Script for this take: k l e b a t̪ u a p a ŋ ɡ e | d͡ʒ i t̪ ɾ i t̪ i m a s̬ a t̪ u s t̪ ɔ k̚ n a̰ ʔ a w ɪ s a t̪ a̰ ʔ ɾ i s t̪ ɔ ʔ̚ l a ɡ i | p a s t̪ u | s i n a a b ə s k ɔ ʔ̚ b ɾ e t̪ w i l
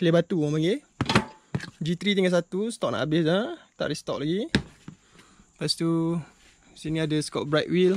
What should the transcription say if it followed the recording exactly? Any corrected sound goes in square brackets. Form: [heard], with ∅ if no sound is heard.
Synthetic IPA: k l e b a t̪ u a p a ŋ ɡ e | d͡ʒ i t̪ ɾ i t̪ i [ŋ] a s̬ a t̪ u s t̪ ɔ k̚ n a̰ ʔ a [b] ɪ s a t̪ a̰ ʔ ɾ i s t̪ ɔ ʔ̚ l a ɡ i | p a s t̪ u | s i n [i] a [d] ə s k ɔ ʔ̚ b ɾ [a] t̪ w i l

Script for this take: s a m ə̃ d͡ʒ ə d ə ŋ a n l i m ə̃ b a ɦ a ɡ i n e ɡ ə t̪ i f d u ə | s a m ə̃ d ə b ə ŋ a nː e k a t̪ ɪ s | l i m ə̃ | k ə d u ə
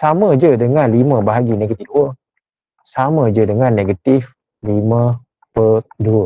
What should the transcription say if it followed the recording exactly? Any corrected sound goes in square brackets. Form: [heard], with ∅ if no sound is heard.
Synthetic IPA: s a m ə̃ d͡ʒ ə d ə ŋ a n l i m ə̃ b a ɦ a ɡ i n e ɡ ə t̪ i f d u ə | s a m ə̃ [d͡ʒ] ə [d] ə ŋ a nː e [ɡ] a t̪ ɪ [f] | l i m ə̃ | [p] ə d u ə

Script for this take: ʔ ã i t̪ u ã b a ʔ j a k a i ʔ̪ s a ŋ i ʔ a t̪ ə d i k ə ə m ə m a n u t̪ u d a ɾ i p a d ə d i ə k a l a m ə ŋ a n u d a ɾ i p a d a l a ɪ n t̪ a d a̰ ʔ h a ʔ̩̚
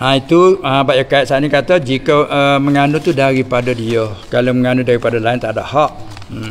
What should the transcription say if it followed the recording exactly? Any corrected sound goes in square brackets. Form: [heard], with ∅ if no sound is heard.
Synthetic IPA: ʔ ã i t̪ u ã b a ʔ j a k a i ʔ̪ s a [n] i [k] a t̪ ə [d͡ʒ] i k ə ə m ə [ŋ] a n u t̪ u d a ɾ i p a d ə d i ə k a l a m ə ŋ a n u d a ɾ i p a d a l a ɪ n t̪ a d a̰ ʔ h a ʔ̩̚

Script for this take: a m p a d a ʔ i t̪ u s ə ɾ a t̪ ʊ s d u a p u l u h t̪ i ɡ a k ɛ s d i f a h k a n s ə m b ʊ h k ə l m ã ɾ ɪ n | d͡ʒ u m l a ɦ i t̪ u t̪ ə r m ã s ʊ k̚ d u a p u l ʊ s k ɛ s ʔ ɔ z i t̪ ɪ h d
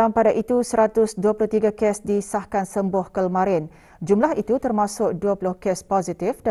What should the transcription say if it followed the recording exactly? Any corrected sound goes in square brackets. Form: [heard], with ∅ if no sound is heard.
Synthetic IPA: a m p a d a ʔ i t̪ u s ə ɾ a t̪ ʊ s d u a p u l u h t̪ i ɡ a k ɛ s d i [s] a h k a n s ə m b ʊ h k ə l m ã ɾ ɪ n | d͡ʒ u m l a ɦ i t̪ u t̪ ə r m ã s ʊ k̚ d u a p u l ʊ [h] k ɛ s [p] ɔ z i t̪ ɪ [f] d

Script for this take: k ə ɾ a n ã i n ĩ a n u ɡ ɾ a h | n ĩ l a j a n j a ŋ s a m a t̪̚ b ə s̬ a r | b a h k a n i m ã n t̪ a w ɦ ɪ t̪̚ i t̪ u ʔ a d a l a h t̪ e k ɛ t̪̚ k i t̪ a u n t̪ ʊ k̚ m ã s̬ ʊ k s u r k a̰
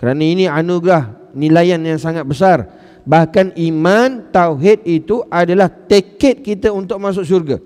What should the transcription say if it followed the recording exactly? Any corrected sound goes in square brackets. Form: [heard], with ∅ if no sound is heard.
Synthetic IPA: k ə ɾ a n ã i n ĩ a n u ɡ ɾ a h | n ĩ l a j a n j a ŋ s a [ŋ] a t̪̚ b ə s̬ a r | b a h k a n i m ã n t̪ a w ɦ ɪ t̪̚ i t̪ u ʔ a d a l a h t̪ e k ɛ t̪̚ k i t̪ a u n t̪ ʊ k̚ m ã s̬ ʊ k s u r [ɡ] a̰

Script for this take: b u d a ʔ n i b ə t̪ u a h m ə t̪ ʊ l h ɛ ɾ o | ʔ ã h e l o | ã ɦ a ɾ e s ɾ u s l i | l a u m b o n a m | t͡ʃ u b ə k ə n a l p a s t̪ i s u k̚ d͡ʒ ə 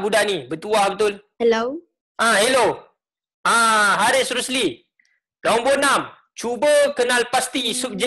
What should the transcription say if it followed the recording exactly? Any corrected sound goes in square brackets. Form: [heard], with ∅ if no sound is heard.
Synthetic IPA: b u d a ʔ n i b ə t̪ u a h [b] ə t̪ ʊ l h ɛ [l] o | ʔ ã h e l o | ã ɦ a ɾ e s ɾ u s l i | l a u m b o n a m | t͡ʃ u b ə k ə n a l p a s t̪ i s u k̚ d͡ʒ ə

